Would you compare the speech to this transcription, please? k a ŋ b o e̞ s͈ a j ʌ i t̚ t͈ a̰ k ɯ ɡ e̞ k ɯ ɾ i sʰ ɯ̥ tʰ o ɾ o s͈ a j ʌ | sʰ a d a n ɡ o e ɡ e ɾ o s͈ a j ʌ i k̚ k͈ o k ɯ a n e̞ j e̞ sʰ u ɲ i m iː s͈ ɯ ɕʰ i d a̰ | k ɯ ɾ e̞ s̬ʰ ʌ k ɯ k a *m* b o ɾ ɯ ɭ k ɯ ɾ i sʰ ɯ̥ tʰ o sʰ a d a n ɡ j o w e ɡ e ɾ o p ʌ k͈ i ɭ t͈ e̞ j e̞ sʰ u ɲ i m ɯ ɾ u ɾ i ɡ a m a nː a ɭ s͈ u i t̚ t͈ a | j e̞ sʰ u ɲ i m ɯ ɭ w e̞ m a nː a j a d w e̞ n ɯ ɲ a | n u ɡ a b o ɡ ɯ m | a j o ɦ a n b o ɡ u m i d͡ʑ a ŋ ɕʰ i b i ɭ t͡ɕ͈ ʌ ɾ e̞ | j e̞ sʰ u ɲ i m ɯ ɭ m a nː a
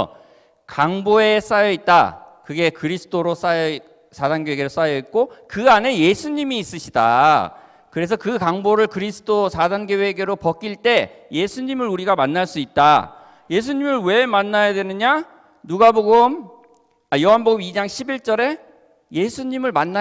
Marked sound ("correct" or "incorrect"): incorrect